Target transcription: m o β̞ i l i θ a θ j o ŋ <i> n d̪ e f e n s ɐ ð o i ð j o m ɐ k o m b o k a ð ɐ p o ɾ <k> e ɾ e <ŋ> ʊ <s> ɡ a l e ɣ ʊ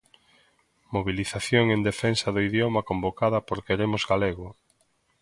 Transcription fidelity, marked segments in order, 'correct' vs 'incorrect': incorrect: e, correct, incorrect: m, incorrect: z

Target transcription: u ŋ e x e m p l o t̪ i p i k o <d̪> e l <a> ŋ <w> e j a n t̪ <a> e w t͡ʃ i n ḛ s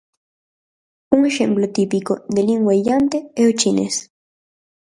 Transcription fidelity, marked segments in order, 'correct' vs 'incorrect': correct, incorrect: i, correct, incorrect: e

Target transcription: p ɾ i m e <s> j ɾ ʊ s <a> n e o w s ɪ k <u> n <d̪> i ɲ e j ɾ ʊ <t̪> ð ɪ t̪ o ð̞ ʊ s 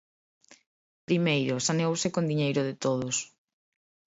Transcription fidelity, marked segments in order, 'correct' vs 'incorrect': incorrect: none, correct, incorrect: o, correct, incorrect: none

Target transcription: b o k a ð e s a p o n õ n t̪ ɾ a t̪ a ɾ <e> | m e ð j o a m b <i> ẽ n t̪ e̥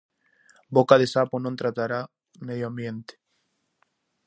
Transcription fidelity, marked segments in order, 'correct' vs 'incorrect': incorrect: a, incorrect: j

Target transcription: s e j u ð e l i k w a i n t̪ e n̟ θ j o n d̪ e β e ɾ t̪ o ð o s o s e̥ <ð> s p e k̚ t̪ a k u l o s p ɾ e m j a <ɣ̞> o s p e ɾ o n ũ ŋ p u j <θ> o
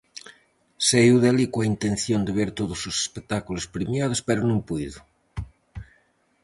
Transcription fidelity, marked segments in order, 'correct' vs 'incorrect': incorrect: none, incorrect: ð̞, incorrect: ð

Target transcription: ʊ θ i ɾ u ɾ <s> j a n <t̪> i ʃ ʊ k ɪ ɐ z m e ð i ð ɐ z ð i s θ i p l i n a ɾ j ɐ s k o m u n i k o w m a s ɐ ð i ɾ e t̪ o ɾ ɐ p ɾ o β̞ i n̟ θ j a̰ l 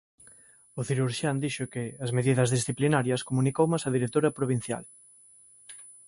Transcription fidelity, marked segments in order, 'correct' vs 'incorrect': incorrect: ʃ, incorrect: d̪

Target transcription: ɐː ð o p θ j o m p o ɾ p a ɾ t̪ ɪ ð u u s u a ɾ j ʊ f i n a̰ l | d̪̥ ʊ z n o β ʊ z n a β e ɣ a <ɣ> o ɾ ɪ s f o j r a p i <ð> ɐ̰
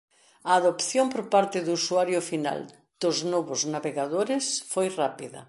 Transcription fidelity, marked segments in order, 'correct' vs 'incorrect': incorrect: ð, correct

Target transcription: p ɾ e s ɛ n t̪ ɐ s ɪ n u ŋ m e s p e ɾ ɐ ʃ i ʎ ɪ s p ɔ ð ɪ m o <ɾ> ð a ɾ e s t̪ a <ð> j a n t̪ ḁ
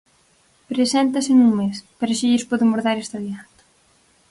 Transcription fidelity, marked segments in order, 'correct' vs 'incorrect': correct, correct

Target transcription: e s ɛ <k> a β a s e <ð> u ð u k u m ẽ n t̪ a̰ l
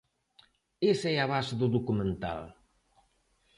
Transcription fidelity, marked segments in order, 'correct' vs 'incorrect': incorrect: none, correct

